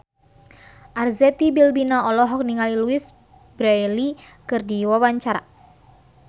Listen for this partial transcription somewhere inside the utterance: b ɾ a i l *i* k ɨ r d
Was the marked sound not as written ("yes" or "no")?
no